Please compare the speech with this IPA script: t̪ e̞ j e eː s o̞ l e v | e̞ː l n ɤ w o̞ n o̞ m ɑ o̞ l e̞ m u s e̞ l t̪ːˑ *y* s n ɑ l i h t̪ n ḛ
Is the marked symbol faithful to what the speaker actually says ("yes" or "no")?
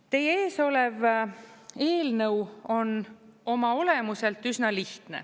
yes